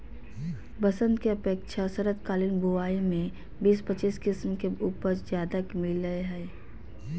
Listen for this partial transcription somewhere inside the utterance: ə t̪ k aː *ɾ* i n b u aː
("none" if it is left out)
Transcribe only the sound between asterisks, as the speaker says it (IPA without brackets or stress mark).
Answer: l